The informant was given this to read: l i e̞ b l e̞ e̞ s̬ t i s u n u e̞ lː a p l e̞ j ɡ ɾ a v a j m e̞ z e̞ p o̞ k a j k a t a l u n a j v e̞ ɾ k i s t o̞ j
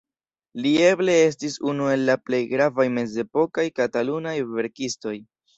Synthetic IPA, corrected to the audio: l i e̞ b l e̞ e̞ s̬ t i s u n u e̞ lː a p l e̞ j ɡ ɾ a v a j m e̞ z e̞ p o̞ k a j k a t a l u n a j v e̞ ɾ k i s t o̞ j